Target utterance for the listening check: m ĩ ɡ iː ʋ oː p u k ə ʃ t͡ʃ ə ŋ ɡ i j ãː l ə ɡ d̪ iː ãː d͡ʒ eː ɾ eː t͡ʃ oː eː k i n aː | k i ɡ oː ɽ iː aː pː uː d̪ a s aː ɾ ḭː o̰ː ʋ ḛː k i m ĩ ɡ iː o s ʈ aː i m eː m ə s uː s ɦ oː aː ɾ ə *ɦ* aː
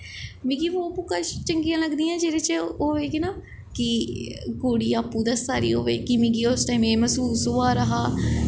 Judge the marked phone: correct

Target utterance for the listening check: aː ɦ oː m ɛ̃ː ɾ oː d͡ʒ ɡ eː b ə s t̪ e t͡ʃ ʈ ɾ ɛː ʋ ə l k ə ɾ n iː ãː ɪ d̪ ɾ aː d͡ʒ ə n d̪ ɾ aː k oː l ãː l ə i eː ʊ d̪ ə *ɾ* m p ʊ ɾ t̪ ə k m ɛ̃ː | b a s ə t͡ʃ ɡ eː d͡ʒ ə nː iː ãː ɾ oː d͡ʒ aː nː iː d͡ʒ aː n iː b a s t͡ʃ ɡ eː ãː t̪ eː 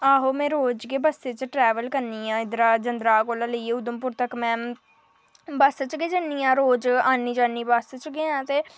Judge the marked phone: incorrect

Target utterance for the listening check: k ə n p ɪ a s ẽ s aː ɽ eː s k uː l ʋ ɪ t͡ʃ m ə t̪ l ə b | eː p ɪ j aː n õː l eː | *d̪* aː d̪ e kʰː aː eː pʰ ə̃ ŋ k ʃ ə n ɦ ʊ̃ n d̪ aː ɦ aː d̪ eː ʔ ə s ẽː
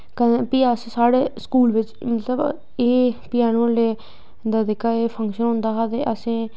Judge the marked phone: correct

